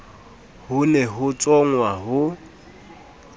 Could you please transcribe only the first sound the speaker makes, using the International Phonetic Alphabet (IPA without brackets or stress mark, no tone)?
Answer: h